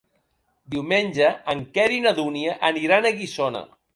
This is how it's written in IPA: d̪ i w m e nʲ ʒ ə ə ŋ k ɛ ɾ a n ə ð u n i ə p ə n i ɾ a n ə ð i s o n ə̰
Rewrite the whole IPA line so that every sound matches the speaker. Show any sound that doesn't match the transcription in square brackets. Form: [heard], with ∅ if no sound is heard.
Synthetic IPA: d̪ i w m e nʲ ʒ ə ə ŋ k ɛ ɾ [i] n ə ð u n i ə [ʔ] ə n i ɾ a n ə [ɣ] i s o n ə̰